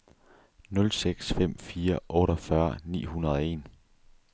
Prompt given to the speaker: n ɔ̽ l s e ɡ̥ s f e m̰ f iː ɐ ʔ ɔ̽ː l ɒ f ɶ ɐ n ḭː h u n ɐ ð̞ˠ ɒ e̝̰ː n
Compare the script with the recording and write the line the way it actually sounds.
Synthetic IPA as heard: n ɔ̽ l s e ɡ̥ s f e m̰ f iː ɐ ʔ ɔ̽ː ɾ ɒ f ɶ ɐ n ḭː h u n ɐ ð̞ˠ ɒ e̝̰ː n